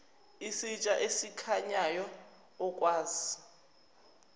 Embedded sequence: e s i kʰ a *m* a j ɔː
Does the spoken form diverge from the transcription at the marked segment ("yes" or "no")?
yes